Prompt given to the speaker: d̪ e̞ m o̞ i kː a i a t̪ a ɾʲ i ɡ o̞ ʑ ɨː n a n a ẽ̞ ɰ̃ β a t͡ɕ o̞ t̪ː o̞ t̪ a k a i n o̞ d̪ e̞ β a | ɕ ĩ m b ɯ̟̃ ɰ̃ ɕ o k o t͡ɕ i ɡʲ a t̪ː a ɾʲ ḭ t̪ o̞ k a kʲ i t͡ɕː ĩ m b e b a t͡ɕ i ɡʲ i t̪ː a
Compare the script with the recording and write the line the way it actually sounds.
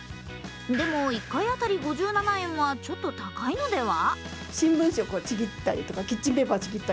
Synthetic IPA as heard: d̪ e̞ m o̞ i kː a i a t̪ a ɾʲ i ɡ o̞ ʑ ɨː n a n a ẽ̞ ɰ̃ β a t͡ɕ o̞ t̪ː o̞ t̪ a k a i n o̞ d̪ e̞ β a | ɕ ĩ m b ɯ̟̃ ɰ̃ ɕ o k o t͡ɕ i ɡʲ i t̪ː a ɾʲ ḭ t̪ o̞ k a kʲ i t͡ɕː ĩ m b e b a t͡ɕ i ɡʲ i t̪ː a